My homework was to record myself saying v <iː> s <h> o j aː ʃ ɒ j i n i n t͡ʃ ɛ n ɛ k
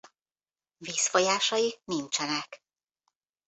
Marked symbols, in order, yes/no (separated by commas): yes, no